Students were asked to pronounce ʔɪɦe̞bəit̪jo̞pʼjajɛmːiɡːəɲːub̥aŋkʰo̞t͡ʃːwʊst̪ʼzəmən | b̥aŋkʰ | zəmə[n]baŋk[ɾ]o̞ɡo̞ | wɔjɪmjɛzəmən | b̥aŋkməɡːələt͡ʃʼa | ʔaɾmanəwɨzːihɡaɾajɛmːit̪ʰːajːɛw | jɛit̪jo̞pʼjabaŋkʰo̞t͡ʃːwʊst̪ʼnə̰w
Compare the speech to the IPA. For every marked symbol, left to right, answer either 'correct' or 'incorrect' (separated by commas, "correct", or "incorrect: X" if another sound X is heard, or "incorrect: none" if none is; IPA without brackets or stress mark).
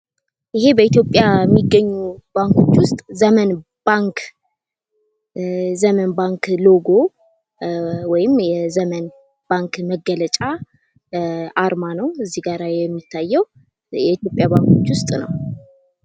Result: correct, incorrect: l